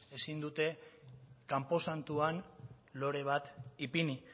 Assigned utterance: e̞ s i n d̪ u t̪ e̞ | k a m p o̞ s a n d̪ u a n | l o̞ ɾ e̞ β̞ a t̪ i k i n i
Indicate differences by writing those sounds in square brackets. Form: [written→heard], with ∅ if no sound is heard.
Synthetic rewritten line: e̞ s i n d̪ u t̪ e̞ | k a m p o̞ s a n [d̪→t̪] u a n | l o̞ ɾ e̞ β̞ a t̪ i [k→p] i n i